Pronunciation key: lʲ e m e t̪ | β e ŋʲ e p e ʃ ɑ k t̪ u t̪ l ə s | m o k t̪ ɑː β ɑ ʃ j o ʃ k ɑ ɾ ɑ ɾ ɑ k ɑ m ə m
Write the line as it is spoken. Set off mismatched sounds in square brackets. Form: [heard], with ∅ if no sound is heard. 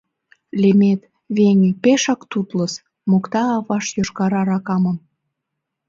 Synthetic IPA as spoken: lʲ e m e t̪ | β e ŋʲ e p e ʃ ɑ k t̪ u t̪ l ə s | m o k t̪ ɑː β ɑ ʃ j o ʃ k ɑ ɾ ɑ ɾ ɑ k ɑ m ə m